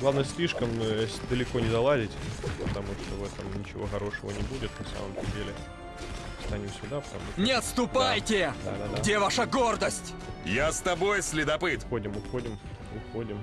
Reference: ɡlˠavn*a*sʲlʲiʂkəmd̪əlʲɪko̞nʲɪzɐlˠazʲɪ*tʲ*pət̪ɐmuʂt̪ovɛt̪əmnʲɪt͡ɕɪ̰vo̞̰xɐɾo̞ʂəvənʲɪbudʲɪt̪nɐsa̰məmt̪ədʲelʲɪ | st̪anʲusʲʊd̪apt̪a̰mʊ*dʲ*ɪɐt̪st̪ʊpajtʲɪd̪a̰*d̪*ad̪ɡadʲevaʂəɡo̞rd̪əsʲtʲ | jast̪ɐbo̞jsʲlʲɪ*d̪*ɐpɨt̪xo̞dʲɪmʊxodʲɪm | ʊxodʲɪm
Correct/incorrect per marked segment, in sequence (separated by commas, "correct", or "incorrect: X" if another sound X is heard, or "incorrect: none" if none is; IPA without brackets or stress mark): incorrect: ə, correct, incorrect: nʲ, correct, correct